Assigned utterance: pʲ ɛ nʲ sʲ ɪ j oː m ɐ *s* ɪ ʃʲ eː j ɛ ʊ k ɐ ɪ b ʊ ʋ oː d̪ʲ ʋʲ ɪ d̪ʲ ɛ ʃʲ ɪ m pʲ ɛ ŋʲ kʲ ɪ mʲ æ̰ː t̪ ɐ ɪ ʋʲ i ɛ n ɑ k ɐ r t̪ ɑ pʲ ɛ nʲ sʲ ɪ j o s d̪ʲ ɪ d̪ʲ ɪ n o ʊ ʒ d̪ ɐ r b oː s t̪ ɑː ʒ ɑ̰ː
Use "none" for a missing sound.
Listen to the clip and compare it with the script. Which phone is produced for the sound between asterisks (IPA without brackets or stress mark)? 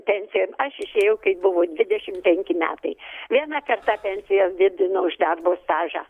ʃ